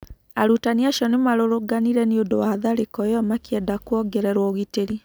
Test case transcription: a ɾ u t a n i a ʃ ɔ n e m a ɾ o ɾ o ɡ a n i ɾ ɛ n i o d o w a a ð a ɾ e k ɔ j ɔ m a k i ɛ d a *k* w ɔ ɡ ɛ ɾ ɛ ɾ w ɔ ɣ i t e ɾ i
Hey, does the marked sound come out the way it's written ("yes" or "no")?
yes